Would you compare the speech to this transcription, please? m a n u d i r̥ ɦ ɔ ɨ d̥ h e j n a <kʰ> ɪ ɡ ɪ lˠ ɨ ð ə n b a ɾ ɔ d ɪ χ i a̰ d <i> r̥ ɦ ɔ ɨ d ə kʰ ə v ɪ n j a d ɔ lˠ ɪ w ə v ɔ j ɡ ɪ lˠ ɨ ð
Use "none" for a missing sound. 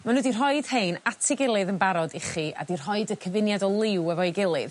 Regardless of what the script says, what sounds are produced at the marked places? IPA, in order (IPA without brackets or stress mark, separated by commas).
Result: tʰ, i